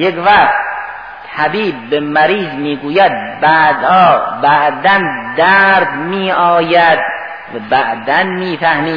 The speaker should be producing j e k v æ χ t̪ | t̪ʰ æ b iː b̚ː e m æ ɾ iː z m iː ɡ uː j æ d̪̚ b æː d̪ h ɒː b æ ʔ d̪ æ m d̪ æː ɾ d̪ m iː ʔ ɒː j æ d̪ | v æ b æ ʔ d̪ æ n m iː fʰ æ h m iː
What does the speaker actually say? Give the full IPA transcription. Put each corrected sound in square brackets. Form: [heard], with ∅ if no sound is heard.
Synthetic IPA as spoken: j e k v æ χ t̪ | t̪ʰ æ b iː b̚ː e m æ ɾ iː z m iː ɡ uː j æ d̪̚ b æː d̪ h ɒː b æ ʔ d̪ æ [n] d̪ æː ɾ d̪ m iː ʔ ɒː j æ d̪ | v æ b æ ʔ d̪ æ n m iː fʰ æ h m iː